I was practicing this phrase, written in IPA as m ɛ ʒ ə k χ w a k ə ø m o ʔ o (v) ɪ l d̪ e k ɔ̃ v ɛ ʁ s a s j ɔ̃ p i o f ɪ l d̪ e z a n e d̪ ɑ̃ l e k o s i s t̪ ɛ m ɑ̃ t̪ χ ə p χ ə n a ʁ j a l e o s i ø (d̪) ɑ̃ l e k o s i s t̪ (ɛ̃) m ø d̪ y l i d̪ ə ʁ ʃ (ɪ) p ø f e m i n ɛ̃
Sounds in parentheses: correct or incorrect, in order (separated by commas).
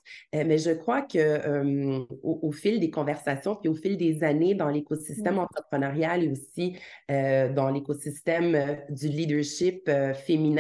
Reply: incorrect, correct, incorrect, correct